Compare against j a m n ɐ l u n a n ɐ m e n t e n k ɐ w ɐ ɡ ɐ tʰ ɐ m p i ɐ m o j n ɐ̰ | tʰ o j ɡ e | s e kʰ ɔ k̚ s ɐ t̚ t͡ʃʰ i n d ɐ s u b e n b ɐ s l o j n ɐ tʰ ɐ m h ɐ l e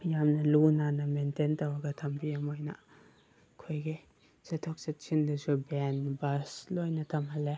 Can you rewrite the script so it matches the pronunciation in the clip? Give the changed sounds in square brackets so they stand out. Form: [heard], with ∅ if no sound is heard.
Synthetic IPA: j a m n ɐ l u n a n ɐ m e n t e n [t] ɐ w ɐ ɡ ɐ tʰ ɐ m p i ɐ m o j n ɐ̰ | [kʰ] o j ɡ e | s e [tʰ] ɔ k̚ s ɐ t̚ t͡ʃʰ i n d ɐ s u b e n b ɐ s l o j n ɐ tʰ ɐ m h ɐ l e